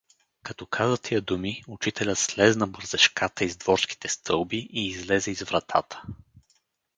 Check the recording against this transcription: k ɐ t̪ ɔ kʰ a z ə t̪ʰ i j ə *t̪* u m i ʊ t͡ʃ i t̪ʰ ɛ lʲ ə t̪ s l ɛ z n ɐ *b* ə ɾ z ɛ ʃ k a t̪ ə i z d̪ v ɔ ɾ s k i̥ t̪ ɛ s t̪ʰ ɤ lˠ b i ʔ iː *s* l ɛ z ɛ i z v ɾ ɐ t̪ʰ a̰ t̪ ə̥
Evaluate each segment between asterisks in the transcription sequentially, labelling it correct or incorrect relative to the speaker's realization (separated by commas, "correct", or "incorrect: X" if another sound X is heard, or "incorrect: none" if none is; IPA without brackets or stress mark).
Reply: incorrect: d̪, correct, incorrect: z